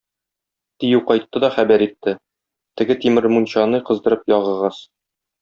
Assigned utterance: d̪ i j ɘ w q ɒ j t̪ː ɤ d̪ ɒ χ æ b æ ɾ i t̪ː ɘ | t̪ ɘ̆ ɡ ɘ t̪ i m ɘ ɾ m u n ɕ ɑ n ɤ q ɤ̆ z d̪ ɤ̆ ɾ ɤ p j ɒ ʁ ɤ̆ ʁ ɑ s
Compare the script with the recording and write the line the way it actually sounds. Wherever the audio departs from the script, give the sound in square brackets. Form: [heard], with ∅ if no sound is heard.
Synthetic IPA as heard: [t̪] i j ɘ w q ɒ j t̪ː ɤ d̪ ɒ χ æ b æ ɾ i t̪ː ɘ | t̪ ɘ̆ ɡ ɘ t̪ i m ɘ ɾ m u n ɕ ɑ n ɤ q ɤ̆ z d̪ ɤ̆ ɾ ɤ p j ɒ ʁ ɤ̆ ʁ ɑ s